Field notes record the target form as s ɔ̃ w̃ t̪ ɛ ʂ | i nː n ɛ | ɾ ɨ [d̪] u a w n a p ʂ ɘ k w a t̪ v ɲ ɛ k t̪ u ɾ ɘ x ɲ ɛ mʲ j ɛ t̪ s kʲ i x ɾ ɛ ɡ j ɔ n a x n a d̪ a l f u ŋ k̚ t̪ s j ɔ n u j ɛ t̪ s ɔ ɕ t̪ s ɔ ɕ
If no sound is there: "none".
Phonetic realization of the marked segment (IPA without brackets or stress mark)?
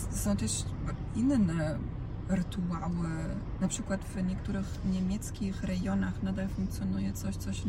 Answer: t̪